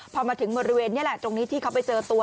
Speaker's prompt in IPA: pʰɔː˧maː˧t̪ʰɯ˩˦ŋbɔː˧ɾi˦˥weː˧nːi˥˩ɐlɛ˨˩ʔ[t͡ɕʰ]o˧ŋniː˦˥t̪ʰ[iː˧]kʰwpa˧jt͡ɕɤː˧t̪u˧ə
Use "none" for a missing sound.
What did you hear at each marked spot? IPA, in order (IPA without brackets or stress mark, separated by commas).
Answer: t͡ɕ, iː˥˩